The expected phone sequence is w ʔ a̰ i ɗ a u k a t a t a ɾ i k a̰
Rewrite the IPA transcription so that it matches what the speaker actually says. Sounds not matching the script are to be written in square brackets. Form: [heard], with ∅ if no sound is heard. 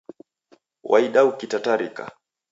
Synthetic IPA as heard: w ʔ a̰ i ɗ a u k [i] t a t a ɾ i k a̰